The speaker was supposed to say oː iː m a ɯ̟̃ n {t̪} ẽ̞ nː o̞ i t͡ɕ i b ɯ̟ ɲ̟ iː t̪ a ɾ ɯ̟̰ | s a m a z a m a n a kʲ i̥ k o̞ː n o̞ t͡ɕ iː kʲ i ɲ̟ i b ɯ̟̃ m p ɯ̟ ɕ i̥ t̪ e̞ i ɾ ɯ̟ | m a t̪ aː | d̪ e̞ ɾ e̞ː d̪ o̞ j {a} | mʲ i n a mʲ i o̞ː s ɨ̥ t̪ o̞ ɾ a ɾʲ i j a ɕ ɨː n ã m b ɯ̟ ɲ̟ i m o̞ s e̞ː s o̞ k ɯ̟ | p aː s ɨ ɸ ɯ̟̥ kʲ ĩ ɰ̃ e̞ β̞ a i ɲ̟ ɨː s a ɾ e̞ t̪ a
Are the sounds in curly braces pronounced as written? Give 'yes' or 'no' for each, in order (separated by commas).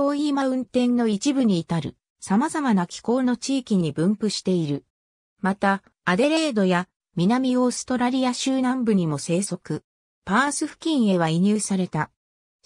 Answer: yes, yes